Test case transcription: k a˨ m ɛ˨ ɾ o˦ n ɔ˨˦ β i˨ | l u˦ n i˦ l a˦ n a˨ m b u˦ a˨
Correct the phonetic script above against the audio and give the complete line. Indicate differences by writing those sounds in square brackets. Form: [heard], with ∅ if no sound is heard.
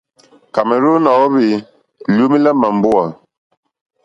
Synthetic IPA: k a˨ m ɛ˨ ɾ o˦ n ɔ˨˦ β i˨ | l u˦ [m] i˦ l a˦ [m] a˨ m b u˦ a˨